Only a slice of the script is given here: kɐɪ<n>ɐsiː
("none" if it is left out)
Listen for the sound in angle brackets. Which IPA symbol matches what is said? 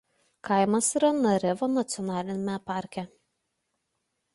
m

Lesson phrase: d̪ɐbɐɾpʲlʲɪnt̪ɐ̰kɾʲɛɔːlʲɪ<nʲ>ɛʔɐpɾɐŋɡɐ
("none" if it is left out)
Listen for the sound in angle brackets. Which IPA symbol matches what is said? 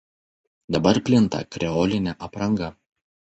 nʲ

